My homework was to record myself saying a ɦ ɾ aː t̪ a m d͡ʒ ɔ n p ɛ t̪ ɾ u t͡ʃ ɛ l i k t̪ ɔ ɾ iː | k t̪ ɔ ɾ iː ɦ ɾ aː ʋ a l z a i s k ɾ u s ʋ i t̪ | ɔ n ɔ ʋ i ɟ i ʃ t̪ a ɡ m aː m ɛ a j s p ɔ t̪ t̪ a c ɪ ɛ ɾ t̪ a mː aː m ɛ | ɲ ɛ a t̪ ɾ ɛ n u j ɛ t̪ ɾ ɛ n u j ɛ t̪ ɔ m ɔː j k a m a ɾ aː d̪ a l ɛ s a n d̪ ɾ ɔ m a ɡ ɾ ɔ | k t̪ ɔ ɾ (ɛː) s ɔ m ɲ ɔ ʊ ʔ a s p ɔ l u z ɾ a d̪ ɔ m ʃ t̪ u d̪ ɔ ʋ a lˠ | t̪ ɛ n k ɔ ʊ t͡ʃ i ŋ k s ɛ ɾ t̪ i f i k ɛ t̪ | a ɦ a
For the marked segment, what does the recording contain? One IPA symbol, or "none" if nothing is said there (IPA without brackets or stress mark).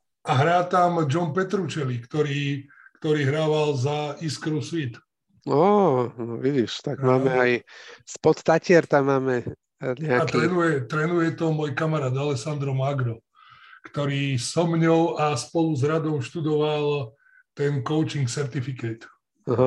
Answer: iː